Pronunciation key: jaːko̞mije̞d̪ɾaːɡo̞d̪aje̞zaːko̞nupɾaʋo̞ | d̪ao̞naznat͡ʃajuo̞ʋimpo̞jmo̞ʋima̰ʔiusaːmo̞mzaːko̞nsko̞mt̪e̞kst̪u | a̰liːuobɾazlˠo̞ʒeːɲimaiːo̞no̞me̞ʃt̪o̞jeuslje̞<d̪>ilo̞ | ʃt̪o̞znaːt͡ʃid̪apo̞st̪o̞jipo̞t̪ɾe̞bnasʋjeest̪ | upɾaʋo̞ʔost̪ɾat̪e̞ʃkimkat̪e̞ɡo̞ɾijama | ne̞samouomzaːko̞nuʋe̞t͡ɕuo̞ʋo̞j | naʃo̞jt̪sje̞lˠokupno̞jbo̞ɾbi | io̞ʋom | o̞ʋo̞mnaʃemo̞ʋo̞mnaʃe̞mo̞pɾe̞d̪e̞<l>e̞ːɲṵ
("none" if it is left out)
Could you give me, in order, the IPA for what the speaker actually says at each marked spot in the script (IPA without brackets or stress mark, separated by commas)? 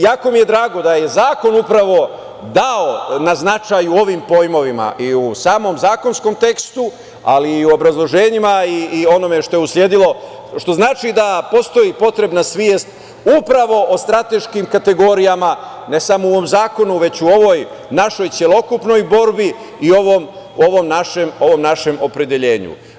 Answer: d̪, ʎ